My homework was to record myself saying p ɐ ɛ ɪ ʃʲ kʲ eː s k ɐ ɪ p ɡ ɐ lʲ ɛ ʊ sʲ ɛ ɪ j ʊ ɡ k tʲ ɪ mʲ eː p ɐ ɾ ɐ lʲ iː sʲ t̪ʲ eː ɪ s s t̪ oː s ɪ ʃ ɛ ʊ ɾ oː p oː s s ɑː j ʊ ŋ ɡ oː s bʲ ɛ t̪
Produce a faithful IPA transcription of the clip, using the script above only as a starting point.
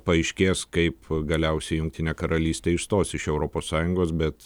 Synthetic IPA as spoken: p ɐ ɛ ɪ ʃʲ kʲ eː s k ɐ ɪ p ɡ ɐ lʲ ɛ ʊ sʲ ɛ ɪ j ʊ ŋ k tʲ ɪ nʲ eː k ɐ ɾ ɐ lʲ iː sʲ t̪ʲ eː ɪ ʃ s t̪ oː s ɪ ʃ ɛ ʊ ɾ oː p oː s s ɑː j ʊ ŋ ɡ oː s bʲ ɛ t̪